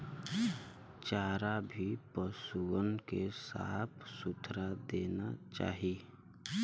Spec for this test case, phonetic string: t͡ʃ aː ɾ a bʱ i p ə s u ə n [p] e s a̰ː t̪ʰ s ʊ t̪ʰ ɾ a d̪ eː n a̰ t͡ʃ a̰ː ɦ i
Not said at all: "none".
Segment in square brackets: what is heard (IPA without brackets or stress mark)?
k